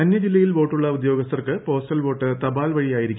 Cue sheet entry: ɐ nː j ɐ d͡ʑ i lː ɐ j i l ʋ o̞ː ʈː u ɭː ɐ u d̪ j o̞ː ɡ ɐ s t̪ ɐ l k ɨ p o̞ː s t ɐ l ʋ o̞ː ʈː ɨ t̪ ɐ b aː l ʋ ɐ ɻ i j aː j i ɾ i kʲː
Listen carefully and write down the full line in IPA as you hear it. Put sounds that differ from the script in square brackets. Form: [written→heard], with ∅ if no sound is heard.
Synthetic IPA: ɐ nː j ɐ d͡ʑ i lː ɐ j i l ʋ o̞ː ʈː u ɭː ɐ u d̪ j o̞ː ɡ ɐ s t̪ ɐ [l→r] k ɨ p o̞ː s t ɐ l ʋ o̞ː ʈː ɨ t̪ ɐ b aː l ʋ ɐ ɻ i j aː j i ɾ i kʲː